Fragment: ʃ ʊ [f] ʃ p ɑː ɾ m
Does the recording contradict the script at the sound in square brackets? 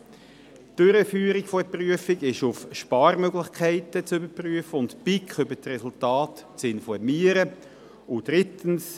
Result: no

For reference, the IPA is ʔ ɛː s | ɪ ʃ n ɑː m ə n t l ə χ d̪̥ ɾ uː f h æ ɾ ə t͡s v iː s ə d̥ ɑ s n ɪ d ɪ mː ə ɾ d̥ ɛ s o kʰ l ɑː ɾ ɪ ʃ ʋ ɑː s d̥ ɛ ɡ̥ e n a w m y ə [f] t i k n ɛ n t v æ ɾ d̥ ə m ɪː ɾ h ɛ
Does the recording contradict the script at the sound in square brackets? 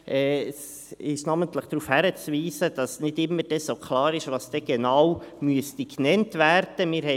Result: yes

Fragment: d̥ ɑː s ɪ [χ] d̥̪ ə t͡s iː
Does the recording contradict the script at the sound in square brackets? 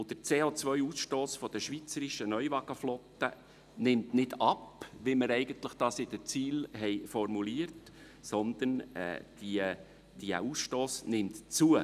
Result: yes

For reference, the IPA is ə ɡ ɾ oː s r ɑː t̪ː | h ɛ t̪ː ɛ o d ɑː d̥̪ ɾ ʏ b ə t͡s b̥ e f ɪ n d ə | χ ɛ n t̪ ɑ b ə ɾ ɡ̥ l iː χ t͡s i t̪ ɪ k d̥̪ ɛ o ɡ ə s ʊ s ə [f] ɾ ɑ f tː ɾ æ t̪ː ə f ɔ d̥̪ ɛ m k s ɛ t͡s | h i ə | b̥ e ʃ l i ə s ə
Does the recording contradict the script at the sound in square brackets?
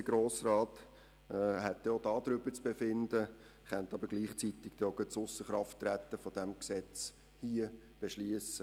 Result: yes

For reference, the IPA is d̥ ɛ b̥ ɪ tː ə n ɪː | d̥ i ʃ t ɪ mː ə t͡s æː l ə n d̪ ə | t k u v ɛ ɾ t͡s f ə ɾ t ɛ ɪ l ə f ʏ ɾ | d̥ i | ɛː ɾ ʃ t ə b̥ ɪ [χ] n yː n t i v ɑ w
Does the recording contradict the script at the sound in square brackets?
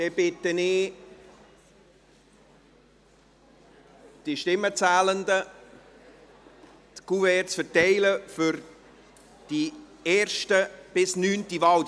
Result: yes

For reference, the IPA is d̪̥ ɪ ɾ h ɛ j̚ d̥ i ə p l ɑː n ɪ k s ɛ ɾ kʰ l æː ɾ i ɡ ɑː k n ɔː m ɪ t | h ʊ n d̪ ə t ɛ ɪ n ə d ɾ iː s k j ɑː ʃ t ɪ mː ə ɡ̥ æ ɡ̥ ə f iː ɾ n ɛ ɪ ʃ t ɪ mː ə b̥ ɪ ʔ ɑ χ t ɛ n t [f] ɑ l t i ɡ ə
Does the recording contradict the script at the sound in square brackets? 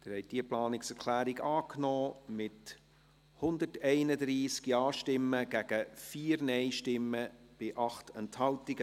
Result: yes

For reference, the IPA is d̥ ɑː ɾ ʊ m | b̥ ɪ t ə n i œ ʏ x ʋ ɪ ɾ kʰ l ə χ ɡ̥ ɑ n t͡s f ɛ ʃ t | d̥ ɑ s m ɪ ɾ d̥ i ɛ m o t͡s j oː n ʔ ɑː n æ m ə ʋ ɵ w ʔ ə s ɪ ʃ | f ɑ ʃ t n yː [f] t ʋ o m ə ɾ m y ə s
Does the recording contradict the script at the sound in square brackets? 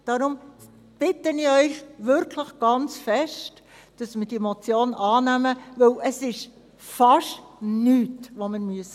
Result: yes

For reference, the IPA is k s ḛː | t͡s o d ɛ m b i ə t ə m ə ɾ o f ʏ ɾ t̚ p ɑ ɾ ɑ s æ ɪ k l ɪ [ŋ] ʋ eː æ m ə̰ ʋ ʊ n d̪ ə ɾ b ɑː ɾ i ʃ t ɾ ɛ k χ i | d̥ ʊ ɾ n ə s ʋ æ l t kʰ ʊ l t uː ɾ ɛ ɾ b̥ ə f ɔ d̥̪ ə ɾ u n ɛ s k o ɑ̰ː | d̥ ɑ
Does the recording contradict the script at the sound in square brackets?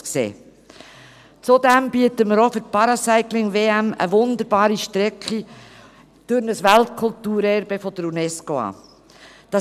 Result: no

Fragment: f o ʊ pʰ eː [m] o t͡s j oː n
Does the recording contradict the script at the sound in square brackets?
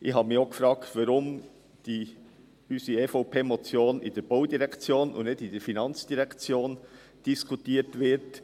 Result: no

